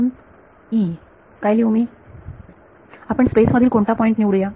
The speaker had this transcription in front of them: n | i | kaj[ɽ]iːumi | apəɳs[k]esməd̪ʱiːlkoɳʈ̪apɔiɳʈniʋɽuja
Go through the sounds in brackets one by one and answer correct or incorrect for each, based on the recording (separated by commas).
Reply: incorrect, incorrect